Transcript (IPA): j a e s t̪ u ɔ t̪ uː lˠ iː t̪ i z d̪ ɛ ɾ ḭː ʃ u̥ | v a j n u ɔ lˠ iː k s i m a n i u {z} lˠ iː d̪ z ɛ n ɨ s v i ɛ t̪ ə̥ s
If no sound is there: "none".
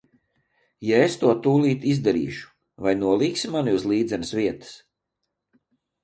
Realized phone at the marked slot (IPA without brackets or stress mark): z